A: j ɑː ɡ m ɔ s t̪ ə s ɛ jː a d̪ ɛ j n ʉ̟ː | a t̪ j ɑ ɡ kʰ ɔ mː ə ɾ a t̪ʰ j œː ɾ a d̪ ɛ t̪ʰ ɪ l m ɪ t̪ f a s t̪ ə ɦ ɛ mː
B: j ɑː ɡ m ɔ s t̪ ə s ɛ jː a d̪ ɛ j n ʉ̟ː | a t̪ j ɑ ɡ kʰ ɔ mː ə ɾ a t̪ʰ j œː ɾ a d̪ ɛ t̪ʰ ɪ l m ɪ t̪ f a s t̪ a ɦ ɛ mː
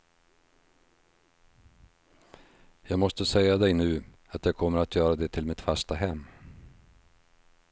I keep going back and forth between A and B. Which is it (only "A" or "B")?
B